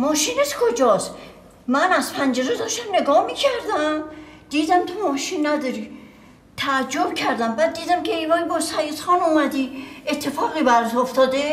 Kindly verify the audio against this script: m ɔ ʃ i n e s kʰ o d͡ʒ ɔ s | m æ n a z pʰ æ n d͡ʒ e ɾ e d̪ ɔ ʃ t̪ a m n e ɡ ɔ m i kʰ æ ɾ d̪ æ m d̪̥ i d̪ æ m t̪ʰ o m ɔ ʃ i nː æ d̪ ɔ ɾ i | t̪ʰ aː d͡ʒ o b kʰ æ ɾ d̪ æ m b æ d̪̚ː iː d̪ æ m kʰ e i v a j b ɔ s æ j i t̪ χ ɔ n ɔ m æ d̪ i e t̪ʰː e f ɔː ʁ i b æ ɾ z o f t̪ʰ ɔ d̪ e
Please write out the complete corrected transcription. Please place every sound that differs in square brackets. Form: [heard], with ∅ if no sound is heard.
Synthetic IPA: m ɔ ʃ i n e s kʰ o d͡ʒ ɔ s | m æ n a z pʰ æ n d͡ʒ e ɾ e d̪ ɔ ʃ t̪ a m n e ɡ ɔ m i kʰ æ ɾ d̪ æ m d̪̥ i d̪ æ m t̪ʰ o m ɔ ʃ i nː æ d̪ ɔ ɾ i | t̪ʰ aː d͡ʒ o b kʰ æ ɾ d̪ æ m b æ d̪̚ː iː d̪ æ m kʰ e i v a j b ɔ s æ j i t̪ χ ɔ n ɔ m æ d̪ i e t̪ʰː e f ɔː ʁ i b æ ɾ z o f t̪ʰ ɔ d̪ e